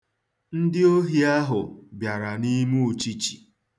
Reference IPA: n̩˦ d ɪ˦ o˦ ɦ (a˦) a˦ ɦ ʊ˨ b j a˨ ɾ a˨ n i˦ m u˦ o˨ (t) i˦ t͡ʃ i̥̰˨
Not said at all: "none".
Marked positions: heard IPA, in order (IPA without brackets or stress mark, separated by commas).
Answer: i˦, t͡ʃ